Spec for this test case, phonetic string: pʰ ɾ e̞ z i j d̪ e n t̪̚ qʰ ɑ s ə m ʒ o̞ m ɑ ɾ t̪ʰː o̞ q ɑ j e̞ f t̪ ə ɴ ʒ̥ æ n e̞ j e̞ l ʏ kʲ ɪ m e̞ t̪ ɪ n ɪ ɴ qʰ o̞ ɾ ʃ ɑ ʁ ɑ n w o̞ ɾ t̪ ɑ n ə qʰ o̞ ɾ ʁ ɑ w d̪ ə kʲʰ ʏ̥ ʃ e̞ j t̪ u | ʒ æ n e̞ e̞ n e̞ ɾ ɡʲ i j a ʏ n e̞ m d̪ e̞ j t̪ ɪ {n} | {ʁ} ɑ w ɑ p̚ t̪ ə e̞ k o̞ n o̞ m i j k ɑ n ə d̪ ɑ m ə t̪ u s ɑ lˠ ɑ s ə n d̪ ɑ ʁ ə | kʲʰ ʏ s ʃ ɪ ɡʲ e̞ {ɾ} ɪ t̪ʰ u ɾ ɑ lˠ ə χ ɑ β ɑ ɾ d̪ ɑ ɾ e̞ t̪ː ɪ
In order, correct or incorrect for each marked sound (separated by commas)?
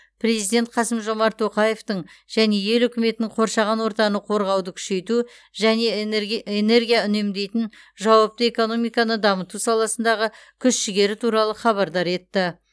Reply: correct, incorrect, correct